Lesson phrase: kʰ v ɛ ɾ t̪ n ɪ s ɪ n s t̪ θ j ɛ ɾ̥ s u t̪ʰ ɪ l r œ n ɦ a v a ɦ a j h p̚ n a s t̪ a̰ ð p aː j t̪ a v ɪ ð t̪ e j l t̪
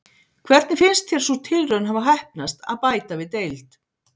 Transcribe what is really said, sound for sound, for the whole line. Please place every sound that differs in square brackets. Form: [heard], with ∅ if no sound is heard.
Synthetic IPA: kʰ v ɛ ɾ t̪ n ɪ [f] ɪ n s t̪ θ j ɛ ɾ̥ s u t̪ʰ ɪ l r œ n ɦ a v a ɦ a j h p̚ n a s t̪ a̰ ð p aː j t̪ a v ɪ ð t̪ e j l t̪